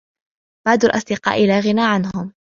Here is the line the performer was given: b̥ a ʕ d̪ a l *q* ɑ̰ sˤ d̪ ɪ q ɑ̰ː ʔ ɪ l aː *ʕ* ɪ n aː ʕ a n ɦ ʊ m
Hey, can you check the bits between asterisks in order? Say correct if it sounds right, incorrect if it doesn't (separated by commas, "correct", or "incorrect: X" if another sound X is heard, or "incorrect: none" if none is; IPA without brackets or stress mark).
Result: incorrect: ʔ, incorrect: ɣ